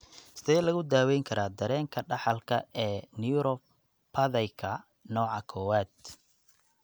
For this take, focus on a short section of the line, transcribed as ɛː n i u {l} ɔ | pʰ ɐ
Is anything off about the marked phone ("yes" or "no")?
yes